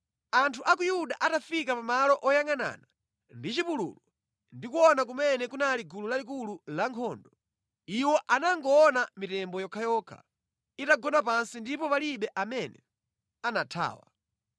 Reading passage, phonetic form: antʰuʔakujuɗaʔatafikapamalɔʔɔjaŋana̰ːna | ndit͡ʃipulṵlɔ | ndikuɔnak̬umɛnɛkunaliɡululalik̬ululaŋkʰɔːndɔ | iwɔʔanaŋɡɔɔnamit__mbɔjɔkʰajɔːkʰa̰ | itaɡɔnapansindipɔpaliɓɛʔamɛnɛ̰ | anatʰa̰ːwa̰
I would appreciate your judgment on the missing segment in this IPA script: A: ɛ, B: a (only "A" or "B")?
A